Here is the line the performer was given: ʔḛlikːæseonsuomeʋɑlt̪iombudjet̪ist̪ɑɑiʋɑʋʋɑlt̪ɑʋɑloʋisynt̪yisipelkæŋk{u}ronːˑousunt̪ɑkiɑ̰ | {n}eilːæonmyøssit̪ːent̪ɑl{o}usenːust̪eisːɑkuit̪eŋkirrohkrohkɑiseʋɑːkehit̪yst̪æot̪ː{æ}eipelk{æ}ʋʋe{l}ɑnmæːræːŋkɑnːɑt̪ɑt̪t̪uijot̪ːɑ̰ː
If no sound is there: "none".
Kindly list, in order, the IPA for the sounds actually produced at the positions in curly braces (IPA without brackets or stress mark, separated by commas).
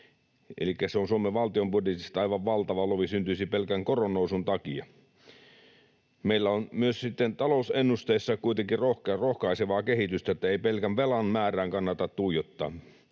o, m, o, æ, æ, l